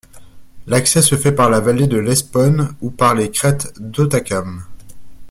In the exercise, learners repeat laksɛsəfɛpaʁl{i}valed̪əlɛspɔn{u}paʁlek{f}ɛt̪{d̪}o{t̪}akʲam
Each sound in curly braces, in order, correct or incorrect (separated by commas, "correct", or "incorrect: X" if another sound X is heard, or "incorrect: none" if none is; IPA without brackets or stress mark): incorrect: a, correct, incorrect: χ, correct, correct